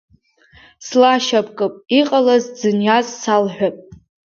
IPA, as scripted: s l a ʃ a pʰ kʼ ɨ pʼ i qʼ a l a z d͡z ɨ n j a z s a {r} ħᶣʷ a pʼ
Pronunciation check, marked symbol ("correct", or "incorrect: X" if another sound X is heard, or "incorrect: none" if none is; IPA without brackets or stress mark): incorrect: l